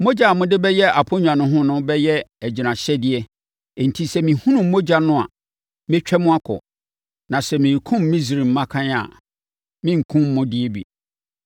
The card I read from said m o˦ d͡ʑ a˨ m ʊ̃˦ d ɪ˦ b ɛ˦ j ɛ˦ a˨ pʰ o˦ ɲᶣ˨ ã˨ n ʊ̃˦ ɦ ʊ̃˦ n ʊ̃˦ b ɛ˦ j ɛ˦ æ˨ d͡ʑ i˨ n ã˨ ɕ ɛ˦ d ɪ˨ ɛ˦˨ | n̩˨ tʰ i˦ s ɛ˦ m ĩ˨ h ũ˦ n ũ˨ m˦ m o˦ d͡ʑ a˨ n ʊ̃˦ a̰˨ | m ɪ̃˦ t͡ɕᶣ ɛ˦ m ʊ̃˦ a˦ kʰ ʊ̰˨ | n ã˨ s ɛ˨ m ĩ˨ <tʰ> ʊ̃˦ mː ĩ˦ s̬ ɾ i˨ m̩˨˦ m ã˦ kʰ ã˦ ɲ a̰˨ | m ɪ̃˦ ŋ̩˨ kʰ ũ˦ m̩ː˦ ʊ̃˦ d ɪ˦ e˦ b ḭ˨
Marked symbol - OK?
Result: no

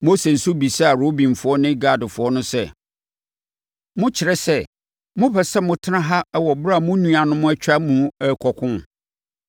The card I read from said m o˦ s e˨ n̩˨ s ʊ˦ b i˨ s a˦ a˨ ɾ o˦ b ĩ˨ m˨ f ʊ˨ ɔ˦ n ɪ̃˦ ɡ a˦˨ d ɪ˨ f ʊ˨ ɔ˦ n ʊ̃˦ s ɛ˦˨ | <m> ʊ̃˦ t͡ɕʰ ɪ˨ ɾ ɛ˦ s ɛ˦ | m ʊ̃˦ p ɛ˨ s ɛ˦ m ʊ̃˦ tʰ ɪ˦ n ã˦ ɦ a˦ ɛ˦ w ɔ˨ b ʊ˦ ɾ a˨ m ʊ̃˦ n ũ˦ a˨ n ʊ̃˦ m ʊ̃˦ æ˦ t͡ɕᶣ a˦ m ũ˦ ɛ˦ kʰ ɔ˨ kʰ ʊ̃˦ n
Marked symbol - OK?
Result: yes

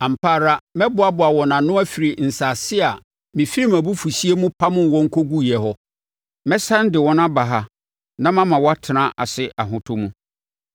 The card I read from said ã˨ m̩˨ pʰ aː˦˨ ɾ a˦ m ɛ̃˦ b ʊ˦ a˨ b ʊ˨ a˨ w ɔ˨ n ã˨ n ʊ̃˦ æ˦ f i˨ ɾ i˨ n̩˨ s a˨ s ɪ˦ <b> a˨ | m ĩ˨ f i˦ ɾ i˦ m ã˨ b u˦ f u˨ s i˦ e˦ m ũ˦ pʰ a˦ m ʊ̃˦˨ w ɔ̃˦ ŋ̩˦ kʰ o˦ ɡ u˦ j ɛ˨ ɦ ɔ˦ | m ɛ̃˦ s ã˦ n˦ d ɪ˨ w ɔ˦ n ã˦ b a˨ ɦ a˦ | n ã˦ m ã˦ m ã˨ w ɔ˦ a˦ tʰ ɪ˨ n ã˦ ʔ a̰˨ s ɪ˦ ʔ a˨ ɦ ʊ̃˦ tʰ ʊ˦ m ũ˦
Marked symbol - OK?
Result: no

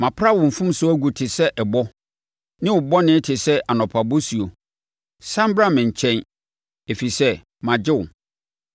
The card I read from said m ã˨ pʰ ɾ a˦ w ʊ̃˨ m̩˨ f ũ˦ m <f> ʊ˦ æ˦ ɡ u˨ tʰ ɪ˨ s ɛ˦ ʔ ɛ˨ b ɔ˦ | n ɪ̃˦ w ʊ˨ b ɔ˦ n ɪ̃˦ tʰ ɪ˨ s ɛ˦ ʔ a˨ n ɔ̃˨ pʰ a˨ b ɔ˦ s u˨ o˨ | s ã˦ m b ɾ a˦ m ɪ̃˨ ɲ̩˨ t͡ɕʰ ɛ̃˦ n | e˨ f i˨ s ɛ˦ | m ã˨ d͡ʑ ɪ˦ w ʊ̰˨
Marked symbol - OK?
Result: no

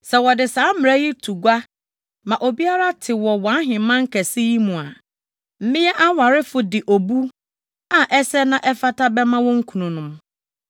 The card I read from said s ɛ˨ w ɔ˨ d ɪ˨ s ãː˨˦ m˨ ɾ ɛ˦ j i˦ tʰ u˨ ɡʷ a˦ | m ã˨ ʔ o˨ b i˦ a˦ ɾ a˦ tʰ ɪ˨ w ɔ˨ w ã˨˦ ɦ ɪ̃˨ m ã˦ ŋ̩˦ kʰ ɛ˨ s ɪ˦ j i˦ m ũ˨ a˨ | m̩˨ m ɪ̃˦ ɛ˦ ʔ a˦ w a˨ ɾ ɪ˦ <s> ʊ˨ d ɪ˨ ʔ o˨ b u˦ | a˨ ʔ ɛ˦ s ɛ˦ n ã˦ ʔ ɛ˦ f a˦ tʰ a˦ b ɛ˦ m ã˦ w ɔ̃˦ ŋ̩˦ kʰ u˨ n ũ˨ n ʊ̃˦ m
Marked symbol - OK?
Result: no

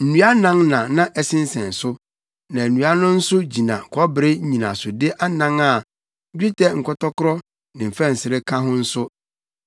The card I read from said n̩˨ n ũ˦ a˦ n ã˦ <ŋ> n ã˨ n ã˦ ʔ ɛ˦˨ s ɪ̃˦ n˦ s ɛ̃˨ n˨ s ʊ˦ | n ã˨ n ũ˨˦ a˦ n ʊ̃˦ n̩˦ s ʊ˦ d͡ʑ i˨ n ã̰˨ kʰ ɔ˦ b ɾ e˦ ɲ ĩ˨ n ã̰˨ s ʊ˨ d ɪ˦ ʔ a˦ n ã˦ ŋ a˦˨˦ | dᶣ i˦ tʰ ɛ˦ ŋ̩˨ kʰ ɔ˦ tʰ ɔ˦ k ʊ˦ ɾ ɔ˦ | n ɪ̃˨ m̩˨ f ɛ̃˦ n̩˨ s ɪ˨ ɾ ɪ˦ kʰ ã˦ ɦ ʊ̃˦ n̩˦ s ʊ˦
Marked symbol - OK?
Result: yes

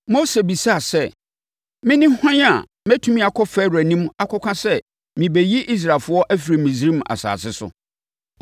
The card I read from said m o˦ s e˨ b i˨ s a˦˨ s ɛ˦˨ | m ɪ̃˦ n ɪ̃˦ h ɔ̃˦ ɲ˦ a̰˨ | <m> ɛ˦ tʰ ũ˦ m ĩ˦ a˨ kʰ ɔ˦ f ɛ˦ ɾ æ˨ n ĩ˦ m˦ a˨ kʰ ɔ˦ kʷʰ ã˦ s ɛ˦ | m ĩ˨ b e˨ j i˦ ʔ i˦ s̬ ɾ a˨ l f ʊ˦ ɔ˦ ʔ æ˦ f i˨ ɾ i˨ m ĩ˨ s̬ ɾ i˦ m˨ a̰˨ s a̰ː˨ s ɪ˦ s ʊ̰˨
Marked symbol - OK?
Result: yes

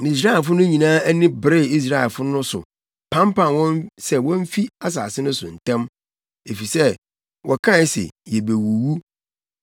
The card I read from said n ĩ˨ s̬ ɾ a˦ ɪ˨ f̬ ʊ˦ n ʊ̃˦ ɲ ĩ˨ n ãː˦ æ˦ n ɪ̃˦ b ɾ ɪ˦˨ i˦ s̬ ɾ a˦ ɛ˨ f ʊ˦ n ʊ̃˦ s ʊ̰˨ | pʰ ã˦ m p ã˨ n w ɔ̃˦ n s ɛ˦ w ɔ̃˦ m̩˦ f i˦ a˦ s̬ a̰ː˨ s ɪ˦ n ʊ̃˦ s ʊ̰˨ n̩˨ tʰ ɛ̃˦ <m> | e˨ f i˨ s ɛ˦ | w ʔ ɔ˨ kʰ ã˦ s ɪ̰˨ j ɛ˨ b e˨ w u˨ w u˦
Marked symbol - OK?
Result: yes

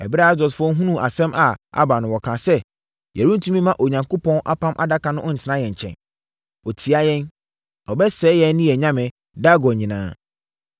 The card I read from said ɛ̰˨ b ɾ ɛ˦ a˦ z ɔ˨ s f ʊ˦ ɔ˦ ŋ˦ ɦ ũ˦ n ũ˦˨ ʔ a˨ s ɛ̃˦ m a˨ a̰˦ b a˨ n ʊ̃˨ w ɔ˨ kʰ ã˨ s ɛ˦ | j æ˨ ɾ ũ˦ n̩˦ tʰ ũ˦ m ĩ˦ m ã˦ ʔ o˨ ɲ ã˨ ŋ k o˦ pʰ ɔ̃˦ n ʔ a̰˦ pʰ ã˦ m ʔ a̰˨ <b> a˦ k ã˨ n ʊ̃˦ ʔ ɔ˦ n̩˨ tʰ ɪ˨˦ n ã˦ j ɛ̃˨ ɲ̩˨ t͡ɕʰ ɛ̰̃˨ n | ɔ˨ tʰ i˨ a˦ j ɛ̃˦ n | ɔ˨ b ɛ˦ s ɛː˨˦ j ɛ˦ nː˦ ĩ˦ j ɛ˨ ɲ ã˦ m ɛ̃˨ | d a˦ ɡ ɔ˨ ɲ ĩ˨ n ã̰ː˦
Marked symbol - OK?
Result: no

